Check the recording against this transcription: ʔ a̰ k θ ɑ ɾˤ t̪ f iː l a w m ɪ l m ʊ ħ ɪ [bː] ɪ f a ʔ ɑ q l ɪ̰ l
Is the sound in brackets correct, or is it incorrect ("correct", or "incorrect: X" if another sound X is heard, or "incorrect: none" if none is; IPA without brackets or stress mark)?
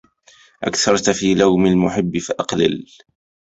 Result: correct